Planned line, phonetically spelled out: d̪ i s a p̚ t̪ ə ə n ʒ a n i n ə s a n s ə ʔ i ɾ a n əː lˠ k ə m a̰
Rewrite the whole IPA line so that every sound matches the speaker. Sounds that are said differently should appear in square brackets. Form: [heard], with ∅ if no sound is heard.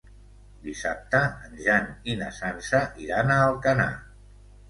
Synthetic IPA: d̪ i s a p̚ t̪ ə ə n ʒ a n i n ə s a n s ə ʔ i ɾ a n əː lˠ k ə [n] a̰